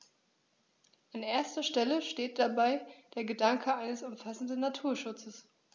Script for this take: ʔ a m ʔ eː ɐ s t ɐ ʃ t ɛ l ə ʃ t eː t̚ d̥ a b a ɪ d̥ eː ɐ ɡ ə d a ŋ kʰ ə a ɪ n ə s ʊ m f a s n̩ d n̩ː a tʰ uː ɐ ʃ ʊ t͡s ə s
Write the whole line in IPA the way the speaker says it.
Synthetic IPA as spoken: ʔ a n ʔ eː ɐ s t ɐ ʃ t ɛ l ə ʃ t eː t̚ d̥ a b a ɪ d̥ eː ɐ ɡ ə d a ŋ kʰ ə a ɪ n ə s ʊ m f a s n̩ d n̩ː a tʰ uː ɐ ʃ ʊ t͡s ə s